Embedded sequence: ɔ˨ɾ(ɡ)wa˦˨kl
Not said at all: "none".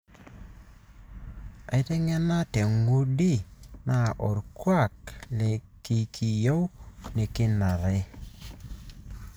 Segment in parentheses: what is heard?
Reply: k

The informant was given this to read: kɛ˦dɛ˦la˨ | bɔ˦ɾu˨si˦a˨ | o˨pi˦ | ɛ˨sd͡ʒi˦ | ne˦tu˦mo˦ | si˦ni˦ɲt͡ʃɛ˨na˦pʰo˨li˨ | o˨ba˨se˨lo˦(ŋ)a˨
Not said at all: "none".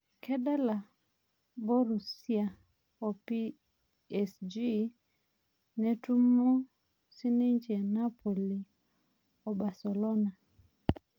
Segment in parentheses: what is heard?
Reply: n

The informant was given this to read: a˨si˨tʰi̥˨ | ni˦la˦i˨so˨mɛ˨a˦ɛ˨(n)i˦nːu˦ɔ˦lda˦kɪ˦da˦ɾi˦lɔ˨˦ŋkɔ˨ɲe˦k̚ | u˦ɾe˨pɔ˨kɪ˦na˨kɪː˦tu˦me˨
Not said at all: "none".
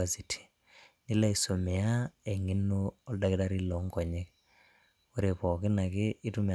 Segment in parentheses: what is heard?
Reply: ŋ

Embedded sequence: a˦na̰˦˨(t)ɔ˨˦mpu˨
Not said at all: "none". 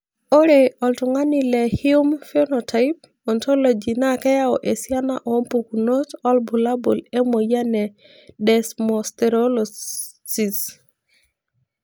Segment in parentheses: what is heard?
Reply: ʔ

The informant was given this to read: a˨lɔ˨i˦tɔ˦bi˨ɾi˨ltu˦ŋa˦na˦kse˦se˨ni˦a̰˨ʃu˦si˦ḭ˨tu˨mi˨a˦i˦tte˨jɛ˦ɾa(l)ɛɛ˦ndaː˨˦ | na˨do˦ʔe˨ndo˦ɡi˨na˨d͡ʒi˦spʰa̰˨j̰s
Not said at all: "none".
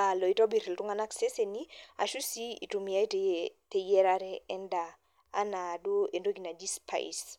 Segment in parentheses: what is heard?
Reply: ɾ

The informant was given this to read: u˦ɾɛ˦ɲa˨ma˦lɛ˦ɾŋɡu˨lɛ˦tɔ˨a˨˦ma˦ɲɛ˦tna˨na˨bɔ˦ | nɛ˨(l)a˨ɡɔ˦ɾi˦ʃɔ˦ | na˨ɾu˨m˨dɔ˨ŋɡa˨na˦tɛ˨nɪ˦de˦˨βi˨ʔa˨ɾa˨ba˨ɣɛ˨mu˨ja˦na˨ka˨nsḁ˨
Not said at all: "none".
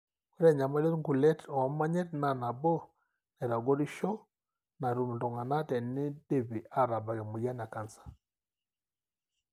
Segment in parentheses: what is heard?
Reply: ɾ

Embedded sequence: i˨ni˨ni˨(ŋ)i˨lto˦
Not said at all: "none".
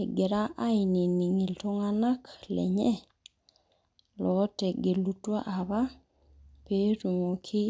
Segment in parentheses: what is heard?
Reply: ŋ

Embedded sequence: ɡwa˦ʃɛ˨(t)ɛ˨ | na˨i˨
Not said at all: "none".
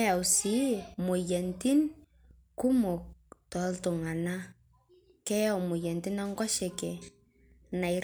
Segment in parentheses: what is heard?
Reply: k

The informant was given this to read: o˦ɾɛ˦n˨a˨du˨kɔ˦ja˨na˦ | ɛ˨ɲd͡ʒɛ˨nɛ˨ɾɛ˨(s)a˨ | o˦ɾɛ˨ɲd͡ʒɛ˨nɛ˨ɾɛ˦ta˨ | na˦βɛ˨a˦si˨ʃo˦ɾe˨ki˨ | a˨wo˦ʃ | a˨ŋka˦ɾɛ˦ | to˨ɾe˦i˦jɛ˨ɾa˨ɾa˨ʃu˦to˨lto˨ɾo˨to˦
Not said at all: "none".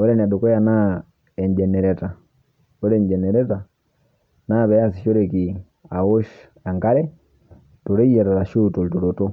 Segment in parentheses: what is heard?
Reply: t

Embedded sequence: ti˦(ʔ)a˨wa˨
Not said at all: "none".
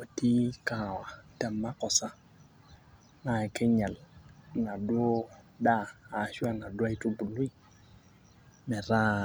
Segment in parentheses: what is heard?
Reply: k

